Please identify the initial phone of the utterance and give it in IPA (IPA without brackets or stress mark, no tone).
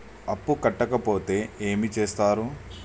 ɐ